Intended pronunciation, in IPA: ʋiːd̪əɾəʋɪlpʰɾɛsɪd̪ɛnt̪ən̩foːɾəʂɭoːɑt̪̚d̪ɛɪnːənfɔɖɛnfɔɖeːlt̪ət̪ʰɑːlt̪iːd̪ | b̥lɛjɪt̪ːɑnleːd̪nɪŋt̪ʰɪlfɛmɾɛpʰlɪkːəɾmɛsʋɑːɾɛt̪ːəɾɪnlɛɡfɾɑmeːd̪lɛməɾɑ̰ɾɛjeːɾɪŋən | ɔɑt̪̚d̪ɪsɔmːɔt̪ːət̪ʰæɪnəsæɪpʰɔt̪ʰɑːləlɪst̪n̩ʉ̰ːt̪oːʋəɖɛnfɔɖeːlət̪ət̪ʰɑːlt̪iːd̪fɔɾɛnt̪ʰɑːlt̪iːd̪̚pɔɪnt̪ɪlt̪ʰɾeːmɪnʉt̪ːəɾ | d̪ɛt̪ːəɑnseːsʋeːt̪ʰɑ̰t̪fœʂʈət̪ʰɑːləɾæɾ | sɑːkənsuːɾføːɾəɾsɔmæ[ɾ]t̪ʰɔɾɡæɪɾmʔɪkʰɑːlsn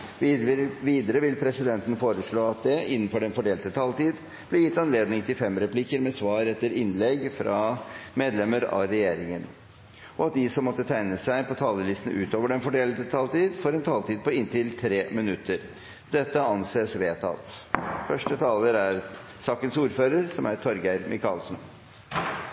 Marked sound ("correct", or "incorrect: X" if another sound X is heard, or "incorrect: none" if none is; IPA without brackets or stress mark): correct